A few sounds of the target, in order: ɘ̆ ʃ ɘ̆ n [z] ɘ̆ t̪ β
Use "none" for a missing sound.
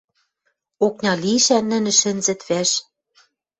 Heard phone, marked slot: z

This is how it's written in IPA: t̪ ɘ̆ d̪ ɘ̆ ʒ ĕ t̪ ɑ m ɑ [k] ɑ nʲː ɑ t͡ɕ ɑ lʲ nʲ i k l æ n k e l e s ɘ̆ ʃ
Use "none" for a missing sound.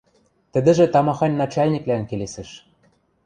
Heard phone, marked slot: x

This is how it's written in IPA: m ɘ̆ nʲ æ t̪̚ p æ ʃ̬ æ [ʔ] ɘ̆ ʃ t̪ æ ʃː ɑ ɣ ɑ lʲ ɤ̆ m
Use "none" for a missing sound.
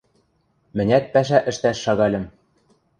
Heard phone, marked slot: ʔ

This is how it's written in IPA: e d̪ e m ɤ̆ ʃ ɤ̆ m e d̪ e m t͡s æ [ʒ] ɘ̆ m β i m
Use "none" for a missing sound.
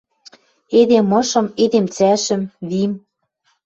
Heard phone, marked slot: ʃ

